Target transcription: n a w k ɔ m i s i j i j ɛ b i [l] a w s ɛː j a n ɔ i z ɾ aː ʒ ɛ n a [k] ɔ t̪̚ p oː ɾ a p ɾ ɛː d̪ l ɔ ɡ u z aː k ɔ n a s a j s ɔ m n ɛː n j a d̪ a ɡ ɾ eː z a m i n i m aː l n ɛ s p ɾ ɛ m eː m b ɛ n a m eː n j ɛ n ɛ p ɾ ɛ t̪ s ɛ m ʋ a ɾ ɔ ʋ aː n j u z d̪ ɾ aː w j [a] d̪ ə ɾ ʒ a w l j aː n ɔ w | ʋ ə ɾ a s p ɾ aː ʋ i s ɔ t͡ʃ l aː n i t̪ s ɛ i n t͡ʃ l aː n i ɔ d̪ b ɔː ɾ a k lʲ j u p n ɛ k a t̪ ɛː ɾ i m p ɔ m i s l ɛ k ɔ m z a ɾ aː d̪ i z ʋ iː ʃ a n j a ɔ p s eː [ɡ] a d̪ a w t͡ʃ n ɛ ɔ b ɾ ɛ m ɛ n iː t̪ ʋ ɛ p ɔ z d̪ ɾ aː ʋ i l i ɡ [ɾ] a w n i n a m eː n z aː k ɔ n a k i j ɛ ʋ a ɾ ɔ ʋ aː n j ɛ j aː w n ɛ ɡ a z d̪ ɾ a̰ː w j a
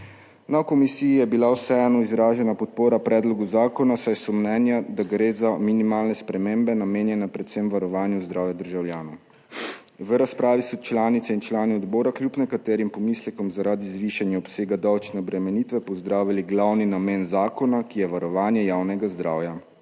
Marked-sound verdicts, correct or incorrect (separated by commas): correct, incorrect, correct, correct, incorrect